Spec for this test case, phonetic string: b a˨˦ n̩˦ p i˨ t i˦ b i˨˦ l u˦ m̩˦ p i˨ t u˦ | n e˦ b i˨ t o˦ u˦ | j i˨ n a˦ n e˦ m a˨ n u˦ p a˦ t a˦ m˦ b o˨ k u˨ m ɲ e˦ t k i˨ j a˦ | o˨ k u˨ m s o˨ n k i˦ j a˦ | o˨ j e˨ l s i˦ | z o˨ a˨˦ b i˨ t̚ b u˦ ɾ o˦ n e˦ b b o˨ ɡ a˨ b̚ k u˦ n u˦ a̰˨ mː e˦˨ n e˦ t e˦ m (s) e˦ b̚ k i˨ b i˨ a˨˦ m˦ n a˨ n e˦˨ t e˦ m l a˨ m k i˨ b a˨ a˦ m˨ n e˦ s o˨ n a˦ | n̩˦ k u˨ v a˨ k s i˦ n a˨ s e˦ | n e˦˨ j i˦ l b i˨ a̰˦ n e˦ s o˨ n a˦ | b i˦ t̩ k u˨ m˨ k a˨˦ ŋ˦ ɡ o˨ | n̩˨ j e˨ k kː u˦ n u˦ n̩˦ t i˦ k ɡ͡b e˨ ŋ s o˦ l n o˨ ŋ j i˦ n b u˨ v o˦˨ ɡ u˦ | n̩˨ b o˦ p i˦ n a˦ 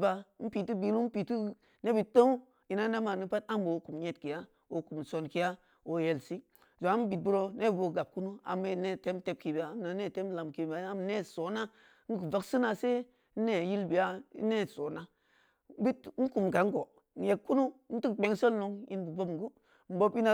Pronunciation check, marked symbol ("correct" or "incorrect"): incorrect